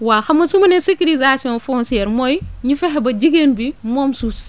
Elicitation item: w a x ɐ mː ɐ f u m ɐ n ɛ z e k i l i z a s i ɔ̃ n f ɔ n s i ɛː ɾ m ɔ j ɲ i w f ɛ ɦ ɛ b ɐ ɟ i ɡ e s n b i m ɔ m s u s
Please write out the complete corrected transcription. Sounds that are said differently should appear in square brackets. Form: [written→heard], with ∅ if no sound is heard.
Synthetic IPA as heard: w a x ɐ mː ɐ [f→s] u m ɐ n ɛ [z→s] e k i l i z a s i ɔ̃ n f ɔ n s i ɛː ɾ m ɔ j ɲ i [w→∅] f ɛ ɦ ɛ b ɐ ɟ i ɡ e [s→∅] n b i m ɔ m s u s